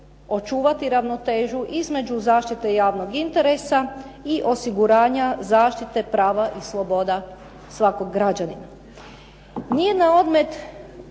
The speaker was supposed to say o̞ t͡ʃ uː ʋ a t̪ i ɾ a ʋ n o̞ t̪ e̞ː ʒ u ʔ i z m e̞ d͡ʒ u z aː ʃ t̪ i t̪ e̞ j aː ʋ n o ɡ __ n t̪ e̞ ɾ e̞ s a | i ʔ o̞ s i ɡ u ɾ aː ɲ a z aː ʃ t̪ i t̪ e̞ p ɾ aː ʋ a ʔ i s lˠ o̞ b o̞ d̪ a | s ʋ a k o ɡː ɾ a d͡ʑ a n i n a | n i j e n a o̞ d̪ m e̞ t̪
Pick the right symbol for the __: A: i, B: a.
A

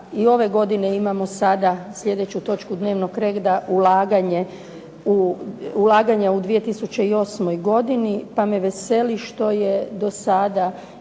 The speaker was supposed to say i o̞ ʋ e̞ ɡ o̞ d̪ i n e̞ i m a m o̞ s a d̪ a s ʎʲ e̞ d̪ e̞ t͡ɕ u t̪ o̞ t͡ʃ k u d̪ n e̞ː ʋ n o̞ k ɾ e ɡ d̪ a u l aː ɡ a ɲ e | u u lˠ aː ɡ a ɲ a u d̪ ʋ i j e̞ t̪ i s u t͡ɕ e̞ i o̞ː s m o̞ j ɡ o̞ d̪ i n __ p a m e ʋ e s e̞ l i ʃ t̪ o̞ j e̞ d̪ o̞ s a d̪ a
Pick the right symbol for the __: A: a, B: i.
B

